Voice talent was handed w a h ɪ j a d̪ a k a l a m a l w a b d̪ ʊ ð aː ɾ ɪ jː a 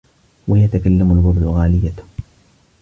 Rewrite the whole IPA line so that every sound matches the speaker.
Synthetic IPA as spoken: w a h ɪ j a t̪ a k a lː a m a l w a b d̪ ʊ ɣ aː l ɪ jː a